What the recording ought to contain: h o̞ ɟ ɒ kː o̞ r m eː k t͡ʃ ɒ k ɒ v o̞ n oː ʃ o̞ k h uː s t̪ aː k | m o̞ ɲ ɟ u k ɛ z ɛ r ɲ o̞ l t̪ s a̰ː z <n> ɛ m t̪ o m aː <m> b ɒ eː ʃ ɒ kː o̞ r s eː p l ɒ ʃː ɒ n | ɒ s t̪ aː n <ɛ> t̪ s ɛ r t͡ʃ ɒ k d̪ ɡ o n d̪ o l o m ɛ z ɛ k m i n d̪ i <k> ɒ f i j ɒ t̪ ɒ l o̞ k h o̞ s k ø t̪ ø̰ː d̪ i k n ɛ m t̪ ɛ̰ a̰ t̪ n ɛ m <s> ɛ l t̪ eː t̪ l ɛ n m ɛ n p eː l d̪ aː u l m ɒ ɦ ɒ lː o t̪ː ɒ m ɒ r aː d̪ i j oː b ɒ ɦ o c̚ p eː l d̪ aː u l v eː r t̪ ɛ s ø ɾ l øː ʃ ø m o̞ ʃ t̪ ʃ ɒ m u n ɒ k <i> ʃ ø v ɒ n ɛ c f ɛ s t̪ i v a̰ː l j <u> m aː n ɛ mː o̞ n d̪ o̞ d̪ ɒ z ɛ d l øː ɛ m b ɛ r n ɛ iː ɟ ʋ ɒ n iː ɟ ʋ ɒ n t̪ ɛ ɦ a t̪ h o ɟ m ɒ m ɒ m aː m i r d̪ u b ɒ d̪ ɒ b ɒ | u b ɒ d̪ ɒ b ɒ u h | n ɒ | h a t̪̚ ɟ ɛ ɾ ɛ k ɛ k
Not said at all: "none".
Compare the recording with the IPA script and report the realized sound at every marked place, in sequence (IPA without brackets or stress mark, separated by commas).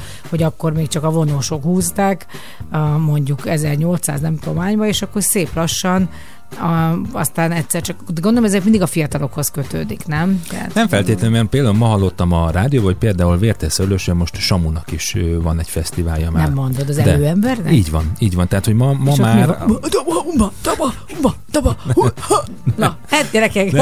n, ɲ, ɛ, ɡ, f, i, ɒ